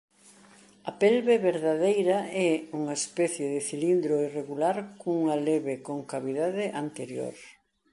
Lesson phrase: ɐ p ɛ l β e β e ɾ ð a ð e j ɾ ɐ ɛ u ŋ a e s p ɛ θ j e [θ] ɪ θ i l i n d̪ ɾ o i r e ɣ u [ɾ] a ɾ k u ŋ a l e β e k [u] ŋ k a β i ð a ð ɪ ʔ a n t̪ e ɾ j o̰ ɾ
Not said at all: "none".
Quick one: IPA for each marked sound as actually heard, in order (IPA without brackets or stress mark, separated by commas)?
ð, l, o